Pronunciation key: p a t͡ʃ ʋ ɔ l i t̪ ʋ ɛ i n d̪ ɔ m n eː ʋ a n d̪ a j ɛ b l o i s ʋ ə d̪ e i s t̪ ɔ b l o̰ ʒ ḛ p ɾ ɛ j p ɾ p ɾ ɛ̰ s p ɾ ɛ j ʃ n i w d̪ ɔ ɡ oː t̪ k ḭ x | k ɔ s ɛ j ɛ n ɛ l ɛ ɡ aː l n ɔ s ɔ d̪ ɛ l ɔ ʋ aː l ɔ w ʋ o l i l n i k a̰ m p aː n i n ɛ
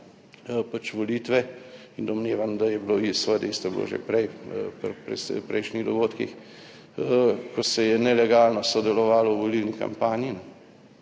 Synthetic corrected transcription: p a t͡ʃ ʋ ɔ l i t̪ ʋ ɛ i n d̪ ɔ m n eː ʋ a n d̪ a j ɛ b l o i s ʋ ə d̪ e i s t̪ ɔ b l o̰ ʒ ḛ p ɾ ɛ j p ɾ p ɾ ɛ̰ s p ɾ ɛ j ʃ n i ɣ d̪ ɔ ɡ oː t̪ k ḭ x | k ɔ s ɛ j ɛ n ɛ l ɛ ɡ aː l n ɔ s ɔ d̪ ɛ l ɔ ʋ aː l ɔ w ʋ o l i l n i k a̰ m p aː n i n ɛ

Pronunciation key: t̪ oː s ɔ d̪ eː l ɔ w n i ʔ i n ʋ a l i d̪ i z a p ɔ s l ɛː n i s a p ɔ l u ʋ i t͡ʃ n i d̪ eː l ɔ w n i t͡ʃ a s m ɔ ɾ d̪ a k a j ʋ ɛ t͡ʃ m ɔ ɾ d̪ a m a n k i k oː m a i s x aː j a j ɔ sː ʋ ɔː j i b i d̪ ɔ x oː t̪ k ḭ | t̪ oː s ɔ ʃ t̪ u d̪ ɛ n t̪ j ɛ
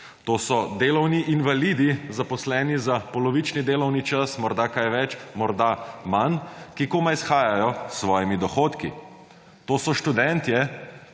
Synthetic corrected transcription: t̪ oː s ɔ d̪ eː l ɔ w n i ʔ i n ʋ a l i d̪ i z a p ɔ s l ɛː n i z a p ɔ l ɔ ʋ i t͡ʃ n i d̪ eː l ɔ w n i t͡ʃ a s m ɔ ɾ d̪ a k a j ʋ ɛ t͡ʃ m ɔ ɾ d̪ a m a n k i k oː m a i s x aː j a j ɔ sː ʋ ɔː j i m i d̪ ɔ x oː t̪ k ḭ | t̪ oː s ɔ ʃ t̪ u d̪ ɛ n t̪ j ɛ

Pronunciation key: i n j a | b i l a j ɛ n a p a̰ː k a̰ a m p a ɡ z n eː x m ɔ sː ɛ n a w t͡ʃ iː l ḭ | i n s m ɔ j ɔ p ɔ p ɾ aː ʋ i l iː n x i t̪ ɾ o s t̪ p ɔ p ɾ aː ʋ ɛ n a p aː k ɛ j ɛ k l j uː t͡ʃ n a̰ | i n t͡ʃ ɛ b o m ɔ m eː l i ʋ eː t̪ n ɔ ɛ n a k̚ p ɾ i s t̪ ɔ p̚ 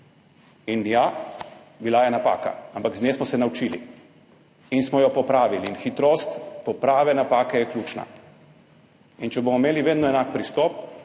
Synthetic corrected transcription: i n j a | b i l a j ɛ n a p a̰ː k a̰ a m p a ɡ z n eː s m ɔ s ɛ n a w t͡ʃ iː l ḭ | i n s m ɔ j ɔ p ɔ p ɾ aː ʋ i l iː n x i t̪ ɾ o s t̪ p ɔ p ɾ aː ʋ ɛ n a p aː k ɛ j ɛ k l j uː t͡ʃ n a̰ | i n t͡ʃ ɛ b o m ɔ m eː l i ʋ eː d̪ n ɔ ɛ n a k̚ p ɾ i s t̪ ɔ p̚

